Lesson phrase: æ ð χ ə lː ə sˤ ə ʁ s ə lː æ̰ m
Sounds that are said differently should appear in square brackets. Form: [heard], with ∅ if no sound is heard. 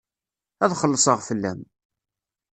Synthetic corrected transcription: æ ð χ ə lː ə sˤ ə ʁ [f] ə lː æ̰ m

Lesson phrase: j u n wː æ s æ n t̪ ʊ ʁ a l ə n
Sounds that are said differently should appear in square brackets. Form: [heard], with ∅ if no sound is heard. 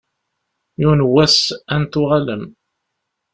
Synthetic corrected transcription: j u n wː æ s æ n t̪ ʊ ʁ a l ə [m]

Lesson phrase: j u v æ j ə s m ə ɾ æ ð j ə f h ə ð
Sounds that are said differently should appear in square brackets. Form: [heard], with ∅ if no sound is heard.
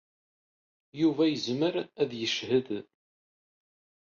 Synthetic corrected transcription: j u v æ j ə [z] m ə ɾ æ ð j ə [ʃ] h ə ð

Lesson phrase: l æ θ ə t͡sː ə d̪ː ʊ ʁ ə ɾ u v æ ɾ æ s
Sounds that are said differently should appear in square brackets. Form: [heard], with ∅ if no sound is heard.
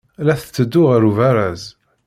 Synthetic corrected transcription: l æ θ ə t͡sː ə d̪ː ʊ ʁ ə ɾ u v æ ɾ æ [z]

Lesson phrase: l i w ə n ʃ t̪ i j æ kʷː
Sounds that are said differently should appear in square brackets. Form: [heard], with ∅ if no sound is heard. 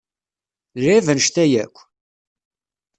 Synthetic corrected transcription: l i [v] ə n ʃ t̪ [æ] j æ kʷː

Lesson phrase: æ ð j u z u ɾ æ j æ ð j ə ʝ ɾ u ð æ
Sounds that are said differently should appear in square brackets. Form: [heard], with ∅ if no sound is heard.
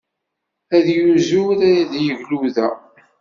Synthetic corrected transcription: æ ð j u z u ɾ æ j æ ð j ə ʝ [l] u ð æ

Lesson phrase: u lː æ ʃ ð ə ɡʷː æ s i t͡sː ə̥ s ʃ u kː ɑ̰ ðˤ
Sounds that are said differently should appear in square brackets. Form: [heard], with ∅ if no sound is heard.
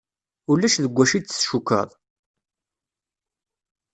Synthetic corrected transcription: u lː æ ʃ ð ə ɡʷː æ [ʃ] i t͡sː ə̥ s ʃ u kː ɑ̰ ðˤ

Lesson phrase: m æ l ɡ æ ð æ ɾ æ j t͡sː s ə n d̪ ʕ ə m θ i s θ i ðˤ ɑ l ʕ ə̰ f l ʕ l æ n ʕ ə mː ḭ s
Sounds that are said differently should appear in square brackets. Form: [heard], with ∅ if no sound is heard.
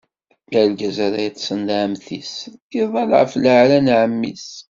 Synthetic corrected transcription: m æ l ɡ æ [z] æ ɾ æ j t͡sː s ə n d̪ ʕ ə m θ i s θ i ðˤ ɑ l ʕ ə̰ f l ʕ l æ n ʕ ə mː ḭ s

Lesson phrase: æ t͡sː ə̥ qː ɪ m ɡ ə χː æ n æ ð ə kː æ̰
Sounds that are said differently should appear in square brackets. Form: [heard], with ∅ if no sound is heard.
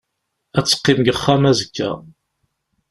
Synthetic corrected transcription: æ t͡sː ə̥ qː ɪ m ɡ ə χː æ [m] æ [z] ə kː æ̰

